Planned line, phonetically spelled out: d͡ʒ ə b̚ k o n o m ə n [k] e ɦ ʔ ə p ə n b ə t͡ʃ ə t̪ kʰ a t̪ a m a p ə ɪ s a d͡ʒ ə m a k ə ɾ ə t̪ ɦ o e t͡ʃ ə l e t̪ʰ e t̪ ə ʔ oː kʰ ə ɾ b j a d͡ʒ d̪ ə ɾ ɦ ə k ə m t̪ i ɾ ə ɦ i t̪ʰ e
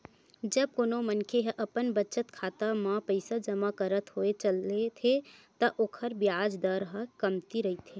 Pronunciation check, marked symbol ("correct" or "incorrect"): incorrect